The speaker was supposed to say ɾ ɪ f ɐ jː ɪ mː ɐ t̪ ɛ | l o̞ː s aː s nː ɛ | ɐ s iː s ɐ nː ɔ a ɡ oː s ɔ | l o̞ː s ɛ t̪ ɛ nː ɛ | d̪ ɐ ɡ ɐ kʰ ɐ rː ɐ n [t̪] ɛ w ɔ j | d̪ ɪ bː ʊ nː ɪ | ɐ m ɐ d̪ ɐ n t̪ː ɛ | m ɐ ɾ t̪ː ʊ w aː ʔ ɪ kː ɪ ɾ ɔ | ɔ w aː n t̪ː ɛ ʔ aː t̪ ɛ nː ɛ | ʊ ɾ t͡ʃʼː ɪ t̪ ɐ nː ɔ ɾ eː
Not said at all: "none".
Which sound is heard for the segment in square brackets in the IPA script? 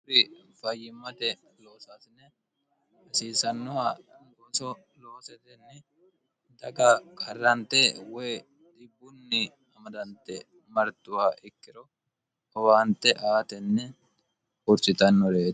t̪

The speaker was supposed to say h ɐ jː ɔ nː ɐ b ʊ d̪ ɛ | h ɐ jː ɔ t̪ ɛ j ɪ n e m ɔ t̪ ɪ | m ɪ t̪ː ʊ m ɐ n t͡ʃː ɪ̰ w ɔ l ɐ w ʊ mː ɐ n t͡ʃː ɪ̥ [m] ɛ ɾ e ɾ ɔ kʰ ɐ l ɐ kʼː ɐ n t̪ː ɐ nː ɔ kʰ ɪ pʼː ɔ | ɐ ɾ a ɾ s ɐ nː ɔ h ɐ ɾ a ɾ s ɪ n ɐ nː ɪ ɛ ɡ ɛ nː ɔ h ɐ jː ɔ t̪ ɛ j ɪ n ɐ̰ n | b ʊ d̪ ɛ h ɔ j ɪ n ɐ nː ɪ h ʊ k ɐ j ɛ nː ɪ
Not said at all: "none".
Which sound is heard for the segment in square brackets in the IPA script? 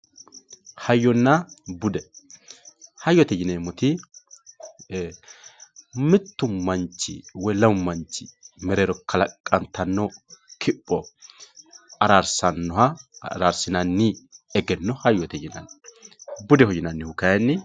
m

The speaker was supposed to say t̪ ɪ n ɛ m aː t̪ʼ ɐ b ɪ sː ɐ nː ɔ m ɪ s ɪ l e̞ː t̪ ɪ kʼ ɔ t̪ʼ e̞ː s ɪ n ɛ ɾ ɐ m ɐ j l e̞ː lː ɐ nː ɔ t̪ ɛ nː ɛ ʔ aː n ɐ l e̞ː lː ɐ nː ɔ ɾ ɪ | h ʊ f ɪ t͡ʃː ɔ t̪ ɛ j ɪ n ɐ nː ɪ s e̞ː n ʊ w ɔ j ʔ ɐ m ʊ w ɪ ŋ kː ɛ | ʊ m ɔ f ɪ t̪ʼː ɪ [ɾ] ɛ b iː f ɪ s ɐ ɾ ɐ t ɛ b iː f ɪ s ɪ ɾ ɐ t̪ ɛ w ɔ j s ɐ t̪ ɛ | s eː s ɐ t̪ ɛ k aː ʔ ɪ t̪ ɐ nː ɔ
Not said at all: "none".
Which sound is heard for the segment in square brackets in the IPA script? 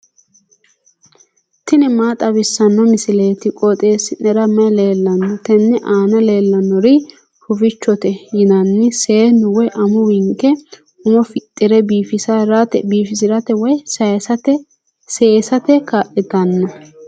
ɾ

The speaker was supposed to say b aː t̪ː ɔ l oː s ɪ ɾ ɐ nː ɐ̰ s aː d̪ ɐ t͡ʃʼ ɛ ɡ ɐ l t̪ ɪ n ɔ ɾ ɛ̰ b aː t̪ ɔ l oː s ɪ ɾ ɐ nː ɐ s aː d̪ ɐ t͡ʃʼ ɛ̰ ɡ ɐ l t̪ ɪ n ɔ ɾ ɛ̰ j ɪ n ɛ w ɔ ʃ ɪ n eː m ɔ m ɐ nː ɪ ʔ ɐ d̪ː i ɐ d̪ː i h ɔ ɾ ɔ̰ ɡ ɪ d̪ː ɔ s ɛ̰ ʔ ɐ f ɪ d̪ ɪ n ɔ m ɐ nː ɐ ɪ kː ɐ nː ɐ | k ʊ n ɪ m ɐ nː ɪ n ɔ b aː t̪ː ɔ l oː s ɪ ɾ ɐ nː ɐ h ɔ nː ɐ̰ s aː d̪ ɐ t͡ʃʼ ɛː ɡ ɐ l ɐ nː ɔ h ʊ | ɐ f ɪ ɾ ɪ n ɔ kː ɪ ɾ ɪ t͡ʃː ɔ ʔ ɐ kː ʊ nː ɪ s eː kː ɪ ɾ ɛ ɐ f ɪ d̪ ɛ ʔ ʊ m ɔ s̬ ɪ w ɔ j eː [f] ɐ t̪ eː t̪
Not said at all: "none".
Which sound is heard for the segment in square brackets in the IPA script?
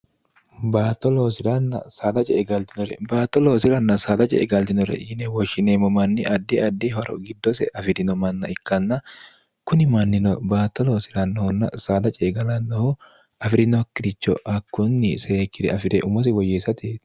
s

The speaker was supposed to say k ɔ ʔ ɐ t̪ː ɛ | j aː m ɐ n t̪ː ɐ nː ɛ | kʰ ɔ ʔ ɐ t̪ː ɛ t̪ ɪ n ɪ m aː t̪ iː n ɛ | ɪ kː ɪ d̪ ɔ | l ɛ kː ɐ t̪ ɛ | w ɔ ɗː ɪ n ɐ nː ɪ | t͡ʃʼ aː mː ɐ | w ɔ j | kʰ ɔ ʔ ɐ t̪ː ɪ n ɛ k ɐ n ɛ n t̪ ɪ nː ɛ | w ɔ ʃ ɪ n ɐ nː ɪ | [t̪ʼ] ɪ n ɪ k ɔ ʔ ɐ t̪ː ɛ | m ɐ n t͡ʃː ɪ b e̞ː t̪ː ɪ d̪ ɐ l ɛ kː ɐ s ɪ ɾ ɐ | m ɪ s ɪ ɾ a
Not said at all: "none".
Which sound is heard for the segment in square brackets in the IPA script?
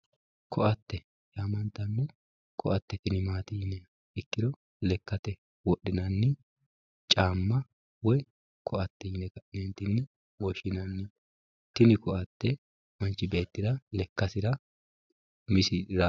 t̪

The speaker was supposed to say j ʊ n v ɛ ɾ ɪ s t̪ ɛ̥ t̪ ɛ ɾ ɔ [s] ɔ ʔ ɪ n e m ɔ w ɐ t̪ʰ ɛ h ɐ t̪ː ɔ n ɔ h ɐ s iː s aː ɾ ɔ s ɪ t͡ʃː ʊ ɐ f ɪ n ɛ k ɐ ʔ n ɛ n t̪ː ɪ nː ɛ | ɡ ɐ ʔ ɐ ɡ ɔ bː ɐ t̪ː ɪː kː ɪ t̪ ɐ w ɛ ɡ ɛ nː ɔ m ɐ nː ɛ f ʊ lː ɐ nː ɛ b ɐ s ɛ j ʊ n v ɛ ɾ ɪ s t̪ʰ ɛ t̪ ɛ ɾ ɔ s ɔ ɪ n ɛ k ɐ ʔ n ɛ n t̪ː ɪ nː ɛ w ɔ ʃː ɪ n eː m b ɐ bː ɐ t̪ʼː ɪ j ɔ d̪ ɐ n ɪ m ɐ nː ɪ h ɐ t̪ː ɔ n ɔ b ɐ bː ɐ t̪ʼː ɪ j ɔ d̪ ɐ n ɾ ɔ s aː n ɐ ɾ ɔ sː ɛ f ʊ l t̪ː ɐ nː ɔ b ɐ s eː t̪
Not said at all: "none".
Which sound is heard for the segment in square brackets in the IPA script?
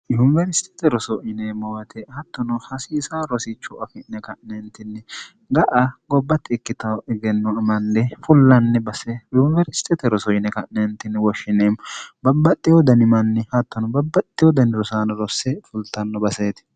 s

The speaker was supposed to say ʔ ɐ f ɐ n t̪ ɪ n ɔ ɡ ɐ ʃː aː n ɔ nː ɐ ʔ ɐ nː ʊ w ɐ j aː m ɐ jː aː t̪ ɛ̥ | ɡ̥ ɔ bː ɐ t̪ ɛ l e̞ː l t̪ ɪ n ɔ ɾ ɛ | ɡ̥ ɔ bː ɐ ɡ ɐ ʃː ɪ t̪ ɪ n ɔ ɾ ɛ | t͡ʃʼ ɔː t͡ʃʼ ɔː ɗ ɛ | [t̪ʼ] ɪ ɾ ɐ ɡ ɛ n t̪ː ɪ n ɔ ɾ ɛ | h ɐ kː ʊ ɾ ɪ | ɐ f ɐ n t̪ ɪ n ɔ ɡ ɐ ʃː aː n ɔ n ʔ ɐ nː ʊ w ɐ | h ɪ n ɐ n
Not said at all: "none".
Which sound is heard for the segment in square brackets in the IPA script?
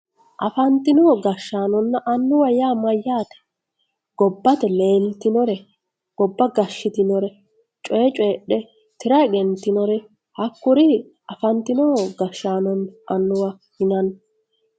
t̪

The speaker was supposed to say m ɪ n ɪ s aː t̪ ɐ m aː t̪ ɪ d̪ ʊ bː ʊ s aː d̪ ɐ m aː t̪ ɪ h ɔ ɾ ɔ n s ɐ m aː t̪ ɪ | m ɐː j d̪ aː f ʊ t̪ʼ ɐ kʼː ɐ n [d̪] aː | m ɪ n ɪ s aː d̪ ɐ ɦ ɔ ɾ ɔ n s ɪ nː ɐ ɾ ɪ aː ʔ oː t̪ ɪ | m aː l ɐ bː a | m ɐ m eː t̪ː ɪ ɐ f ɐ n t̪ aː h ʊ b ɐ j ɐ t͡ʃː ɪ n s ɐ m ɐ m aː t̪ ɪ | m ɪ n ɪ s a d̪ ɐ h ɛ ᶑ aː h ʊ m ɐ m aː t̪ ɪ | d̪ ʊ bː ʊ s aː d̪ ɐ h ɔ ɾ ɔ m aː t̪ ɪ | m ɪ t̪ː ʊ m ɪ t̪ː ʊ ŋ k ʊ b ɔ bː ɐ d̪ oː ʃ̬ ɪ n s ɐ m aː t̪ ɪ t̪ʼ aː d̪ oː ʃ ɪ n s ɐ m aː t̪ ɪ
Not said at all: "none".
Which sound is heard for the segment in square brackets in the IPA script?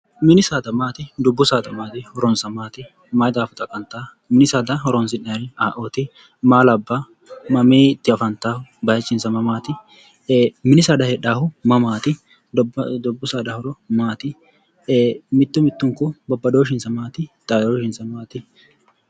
t̪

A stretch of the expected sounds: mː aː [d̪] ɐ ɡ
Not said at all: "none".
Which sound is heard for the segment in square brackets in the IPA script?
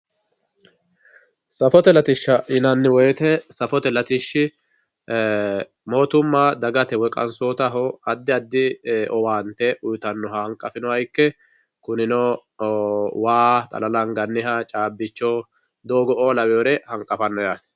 d̪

